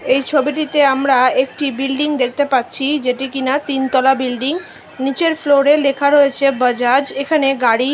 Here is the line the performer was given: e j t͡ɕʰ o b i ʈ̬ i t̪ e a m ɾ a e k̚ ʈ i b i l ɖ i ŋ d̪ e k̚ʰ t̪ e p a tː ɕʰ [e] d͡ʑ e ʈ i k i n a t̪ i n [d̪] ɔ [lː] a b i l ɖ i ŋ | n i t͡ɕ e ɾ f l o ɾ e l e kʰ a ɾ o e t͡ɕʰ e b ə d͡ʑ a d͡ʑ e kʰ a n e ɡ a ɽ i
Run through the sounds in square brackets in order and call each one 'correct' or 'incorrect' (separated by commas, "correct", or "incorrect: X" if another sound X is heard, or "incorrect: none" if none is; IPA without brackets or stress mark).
incorrect: i, incorrect: t̪, incorrect: l